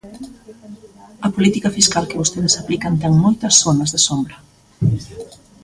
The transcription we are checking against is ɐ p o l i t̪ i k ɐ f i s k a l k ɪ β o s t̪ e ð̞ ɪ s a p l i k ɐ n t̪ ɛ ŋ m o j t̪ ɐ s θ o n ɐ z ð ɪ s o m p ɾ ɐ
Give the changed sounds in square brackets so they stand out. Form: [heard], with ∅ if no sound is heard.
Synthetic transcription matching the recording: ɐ p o l i t̪ i k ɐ f i s k a l k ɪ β o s t̪ e ð̞ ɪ s a p l i k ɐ n t̪ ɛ ŋ m o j t̪ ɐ s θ o n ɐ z ð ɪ s o m [b] ɾ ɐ